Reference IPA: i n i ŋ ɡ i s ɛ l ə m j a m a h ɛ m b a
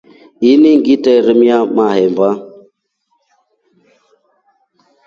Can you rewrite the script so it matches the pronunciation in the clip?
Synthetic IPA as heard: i n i ŋ ɡ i t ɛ ɾ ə m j a m a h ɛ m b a